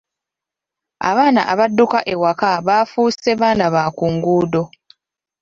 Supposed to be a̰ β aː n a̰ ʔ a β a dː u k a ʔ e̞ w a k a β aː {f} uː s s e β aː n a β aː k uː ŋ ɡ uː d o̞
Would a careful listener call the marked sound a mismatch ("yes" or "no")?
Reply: no